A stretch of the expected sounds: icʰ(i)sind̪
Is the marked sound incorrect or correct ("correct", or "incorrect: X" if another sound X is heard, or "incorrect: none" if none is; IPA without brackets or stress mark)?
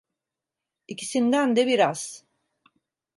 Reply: correct